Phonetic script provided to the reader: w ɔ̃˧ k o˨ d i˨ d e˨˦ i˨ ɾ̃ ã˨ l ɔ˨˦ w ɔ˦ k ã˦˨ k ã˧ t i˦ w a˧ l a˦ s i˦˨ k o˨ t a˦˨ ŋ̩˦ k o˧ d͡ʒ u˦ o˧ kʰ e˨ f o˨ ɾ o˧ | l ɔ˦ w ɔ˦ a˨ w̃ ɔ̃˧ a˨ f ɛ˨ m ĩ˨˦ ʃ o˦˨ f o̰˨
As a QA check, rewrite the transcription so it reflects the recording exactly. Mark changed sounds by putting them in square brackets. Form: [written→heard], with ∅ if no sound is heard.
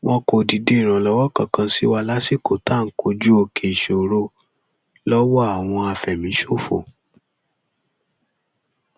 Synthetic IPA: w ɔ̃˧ k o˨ d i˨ d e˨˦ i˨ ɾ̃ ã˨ l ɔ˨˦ w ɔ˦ k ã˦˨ k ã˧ [t→s] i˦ w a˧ l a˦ s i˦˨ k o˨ t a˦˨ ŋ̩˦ k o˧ d͡ʒ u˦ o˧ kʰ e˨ [f→ʃ] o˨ ɾ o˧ | l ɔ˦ w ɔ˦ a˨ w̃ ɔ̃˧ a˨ f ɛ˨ m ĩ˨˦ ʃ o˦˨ f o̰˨